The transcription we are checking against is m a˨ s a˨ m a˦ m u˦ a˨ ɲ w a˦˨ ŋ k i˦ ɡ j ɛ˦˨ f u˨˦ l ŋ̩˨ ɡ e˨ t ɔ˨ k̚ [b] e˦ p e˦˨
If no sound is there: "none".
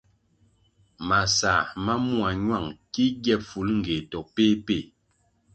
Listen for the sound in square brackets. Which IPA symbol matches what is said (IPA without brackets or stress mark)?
p